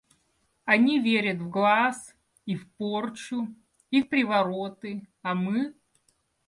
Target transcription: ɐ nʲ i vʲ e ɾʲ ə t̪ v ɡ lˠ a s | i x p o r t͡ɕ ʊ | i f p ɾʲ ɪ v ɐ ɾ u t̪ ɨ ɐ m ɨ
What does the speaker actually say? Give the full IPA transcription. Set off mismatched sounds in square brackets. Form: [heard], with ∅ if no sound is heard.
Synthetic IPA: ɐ nʲ i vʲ e ɾʲ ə t̪ v ɡ lˠ a s | i [f] p o r t͡ɕ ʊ | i f p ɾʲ ɪ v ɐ ɾ [o] t̪ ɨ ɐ m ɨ